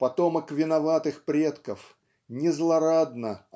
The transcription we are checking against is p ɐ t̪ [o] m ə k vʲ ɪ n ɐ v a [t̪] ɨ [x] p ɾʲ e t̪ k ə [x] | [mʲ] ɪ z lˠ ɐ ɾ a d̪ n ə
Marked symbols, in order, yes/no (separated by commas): yes, yes, yes, no, no